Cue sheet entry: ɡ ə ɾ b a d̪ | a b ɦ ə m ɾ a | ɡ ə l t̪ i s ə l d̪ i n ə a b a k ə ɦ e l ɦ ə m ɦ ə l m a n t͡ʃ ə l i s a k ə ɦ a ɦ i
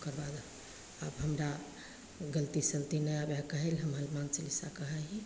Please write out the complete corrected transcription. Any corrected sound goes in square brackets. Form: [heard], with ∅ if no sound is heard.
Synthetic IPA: [k] ə ɾ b a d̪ | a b ɦ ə m ɾ a | ɡ ə l t̪ i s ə l [t̪] i n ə a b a k ə ɦ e l ɦ ə m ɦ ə l m a n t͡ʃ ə l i s a k ə ɦ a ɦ i